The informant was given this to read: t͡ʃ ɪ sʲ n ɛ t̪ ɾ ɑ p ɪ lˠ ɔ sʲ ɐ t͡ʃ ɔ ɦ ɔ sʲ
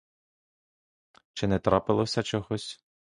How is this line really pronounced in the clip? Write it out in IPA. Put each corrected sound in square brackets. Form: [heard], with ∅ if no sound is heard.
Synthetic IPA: t͡ʃ ɪ [∅] n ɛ t̪ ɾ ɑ p ɪ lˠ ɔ sʲ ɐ t͡ʃ ɔ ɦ ɔ sʲ